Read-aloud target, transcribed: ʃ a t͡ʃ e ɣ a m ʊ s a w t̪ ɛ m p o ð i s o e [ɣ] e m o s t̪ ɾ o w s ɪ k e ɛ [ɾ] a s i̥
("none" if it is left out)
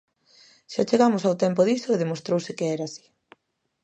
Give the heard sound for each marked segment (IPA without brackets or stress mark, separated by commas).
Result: ð, ɾ